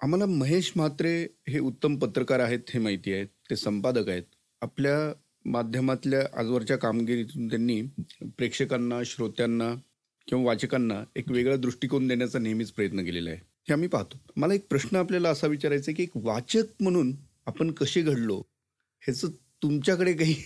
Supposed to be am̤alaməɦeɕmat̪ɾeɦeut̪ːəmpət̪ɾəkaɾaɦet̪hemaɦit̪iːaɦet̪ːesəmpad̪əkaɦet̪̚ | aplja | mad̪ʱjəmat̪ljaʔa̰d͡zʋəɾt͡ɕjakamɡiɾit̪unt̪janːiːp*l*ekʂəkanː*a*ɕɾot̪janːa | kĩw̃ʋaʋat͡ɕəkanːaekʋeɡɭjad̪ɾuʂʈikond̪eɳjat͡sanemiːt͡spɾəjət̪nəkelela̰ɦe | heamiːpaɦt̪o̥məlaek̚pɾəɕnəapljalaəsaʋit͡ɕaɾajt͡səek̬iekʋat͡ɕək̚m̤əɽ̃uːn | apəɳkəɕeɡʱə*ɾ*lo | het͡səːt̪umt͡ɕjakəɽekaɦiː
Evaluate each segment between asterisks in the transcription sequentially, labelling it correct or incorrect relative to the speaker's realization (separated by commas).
incorrect, correct, incorrect